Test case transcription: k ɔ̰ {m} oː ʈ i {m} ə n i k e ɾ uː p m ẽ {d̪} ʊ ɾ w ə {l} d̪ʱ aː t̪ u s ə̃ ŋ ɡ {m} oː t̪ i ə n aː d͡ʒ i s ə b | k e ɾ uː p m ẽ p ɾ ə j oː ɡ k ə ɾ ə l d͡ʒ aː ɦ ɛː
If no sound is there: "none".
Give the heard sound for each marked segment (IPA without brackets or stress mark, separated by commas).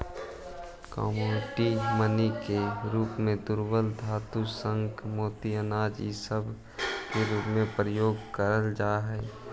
m, m, d̪, l, m